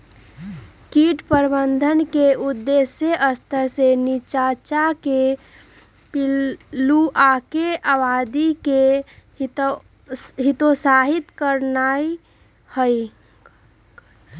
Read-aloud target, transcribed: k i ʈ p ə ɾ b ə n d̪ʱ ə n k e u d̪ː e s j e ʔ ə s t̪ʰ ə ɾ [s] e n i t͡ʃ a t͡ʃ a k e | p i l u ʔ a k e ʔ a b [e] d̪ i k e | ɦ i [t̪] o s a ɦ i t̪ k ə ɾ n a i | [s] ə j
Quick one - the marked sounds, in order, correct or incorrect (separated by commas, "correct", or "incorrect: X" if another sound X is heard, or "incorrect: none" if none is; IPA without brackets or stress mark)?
correct, incorrect: a, correct, incorrect: h